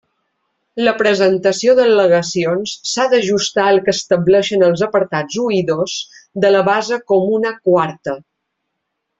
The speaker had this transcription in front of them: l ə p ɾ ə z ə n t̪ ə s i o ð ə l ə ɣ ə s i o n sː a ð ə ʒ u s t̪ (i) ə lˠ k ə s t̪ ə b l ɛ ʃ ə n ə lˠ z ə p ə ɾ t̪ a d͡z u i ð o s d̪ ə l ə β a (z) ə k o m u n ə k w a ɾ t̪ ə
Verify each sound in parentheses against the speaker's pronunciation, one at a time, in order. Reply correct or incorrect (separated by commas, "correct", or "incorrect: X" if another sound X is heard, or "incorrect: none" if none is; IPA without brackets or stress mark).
incorrect: a, correct